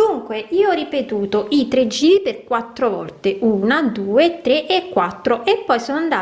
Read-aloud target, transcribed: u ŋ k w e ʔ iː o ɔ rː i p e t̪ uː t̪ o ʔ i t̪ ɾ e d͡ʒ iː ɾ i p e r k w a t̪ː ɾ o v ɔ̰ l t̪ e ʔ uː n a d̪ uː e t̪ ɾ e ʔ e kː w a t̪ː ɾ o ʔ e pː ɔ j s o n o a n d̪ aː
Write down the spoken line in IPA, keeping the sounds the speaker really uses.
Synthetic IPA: u ŋ k w e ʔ iː o ɔ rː i p e t̪ uː t̪ o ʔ i t̪ ɾ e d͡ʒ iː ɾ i p e r k w a t̪ː ɾ o v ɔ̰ l t̪ e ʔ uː n a d̪ uː e t̪ ɾ e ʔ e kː w a t̪ː ɾ o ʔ e pː ɔ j s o n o a n d̪ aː